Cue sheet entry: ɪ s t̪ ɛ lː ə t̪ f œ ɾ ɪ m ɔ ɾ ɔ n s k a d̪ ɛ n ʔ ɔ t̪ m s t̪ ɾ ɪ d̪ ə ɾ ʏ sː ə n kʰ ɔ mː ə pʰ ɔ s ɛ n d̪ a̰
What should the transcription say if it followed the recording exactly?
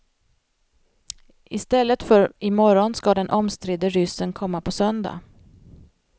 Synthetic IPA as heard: ɪ s t̪ ɛ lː ə t̪ f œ ɾ ɪ m ɔ ɾ ɔ n s k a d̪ ɛ n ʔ ɔ m s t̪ ɾ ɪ d̪ ə ɾ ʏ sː ə n kʰ ɔ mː a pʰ ɔ s œ n d̪ a̰